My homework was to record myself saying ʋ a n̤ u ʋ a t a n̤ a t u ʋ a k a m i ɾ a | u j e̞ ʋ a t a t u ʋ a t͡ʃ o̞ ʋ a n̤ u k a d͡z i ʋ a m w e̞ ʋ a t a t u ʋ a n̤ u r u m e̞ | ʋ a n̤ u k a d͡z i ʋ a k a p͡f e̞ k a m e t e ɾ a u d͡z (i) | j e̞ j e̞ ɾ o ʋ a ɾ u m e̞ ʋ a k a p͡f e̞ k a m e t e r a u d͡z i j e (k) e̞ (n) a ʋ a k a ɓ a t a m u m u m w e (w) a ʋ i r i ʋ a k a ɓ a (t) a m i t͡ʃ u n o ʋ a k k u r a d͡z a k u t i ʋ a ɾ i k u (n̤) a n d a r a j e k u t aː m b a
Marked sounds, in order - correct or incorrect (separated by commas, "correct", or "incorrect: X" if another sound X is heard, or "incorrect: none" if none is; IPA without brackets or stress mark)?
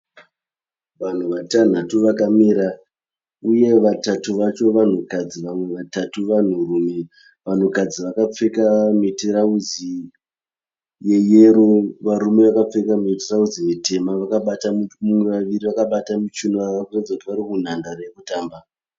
correct, incorrect: t, incorrect: m, incorrect: ʋ, correct, correct